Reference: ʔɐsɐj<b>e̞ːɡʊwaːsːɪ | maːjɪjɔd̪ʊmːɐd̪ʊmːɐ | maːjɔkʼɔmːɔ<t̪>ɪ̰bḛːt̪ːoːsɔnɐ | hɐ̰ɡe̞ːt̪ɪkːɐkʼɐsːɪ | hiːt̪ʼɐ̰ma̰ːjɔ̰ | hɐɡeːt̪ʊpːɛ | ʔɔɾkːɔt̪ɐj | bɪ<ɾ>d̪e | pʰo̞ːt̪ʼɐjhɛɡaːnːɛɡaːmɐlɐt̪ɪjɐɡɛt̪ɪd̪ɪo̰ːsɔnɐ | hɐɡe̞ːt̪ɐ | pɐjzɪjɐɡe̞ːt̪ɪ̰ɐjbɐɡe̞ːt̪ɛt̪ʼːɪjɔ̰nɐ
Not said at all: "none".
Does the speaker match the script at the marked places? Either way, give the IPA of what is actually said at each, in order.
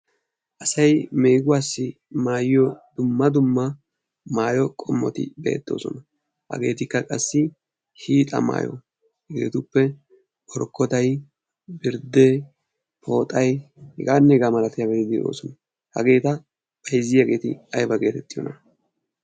m, t̪, ɾ

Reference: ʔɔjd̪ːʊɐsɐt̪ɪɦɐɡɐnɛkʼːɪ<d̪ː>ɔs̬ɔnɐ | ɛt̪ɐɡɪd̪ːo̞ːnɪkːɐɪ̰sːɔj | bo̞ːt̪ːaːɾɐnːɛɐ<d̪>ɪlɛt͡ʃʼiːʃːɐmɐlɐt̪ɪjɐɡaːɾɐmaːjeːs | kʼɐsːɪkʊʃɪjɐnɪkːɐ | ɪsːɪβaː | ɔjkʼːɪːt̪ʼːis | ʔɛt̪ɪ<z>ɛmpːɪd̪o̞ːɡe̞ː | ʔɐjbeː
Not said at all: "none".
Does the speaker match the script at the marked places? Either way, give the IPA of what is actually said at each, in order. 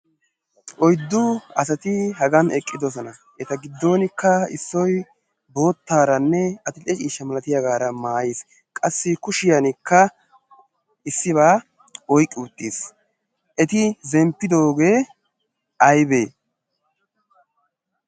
d̪, t̪, z

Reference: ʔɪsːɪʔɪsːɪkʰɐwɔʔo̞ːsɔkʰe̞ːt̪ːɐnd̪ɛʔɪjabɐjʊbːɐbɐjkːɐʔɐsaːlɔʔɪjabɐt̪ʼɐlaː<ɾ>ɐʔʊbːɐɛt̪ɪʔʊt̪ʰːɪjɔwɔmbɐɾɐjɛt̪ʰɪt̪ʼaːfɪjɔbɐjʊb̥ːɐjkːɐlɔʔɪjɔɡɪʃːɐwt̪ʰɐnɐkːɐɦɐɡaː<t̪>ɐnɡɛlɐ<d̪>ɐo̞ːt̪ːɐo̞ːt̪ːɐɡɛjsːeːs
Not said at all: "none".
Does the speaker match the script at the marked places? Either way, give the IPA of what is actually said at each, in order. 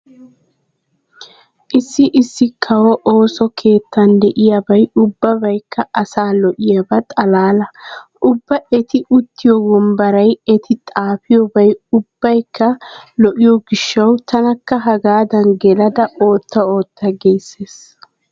l, d̪, d̪

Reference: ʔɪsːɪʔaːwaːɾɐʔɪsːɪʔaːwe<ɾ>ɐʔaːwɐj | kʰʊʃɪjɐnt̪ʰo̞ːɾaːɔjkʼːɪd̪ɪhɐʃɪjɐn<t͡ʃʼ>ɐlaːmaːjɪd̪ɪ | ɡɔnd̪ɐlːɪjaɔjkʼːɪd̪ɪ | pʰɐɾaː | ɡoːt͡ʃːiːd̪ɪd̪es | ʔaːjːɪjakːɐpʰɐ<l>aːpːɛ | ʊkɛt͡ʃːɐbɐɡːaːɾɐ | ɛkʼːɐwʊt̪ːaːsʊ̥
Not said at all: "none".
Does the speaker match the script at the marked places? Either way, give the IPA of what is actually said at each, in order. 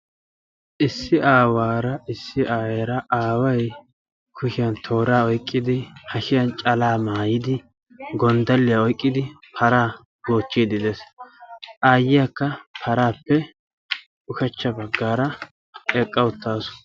ɾ, t͡ʃʼ, ɾ

